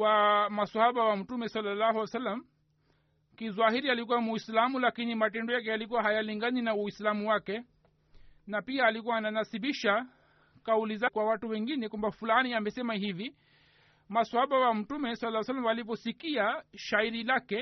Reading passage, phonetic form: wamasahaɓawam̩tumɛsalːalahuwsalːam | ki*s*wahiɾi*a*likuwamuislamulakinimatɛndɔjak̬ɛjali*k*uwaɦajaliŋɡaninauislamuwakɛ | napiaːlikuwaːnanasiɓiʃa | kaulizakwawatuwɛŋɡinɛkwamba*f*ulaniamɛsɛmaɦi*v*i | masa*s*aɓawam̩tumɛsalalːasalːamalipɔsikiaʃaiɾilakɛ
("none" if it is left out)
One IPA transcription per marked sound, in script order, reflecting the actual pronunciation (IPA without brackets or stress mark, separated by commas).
z, a, k, f, v, h